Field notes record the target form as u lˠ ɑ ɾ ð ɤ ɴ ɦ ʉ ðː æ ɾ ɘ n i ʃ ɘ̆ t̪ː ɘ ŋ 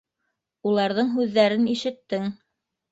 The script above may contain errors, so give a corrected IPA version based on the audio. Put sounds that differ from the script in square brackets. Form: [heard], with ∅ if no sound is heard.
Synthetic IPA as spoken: u lˠ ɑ ɾ ð ɤ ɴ ɦ ʉ ðː æ ɾ ɘ n i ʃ ɘ̆ t̪ː ɘ ŋ